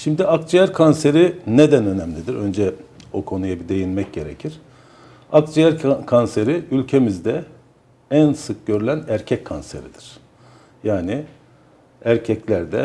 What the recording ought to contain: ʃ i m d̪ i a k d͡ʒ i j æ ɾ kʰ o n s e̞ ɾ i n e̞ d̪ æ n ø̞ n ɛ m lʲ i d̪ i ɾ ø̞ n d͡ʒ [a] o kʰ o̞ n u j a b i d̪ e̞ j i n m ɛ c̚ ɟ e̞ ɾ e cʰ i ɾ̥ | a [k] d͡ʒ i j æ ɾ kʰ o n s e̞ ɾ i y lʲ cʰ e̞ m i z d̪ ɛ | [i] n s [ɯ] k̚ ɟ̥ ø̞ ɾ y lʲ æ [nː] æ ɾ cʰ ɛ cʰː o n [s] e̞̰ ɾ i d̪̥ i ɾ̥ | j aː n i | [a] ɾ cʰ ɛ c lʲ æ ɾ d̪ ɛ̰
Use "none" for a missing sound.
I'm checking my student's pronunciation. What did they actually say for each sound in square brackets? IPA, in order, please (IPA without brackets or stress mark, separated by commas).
ɛ, k, æ, ɯ, n, s, æ